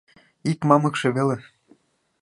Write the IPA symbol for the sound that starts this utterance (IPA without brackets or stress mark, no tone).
i